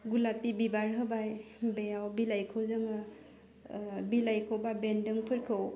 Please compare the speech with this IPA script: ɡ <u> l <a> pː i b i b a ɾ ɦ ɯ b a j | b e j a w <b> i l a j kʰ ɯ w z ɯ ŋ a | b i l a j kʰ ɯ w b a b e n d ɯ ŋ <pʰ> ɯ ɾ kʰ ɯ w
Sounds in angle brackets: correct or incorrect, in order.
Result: correct, correct, correct, correct

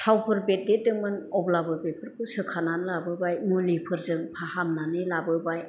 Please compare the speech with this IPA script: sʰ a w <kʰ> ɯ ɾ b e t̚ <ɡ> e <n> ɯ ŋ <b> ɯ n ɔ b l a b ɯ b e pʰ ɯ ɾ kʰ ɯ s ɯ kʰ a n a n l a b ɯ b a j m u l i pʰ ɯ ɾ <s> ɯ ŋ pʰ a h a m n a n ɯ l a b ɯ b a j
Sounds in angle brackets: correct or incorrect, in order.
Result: incorrect: pʰ, incorrect: d, incorrect: d, incorrect: m, incorrect: z

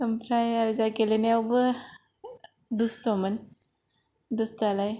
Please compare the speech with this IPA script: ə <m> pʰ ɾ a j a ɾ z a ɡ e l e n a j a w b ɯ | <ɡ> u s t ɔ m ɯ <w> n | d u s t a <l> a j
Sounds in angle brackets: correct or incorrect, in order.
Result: correct, incorrect: d, incorrect: none, correct

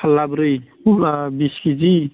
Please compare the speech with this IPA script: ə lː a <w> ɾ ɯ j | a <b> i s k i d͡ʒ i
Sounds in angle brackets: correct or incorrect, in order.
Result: incorrect: b, correct

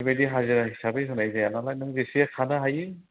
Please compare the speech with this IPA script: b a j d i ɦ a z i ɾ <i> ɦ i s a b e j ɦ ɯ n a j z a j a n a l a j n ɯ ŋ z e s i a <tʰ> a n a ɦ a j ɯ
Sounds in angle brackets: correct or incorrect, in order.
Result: incorrect: a, incorrect: kʰ

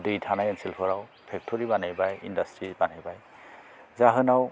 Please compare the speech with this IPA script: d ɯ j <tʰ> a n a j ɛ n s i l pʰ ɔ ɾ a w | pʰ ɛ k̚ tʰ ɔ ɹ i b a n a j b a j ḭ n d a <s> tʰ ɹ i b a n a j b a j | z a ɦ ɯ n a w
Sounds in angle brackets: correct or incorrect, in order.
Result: correct, correct

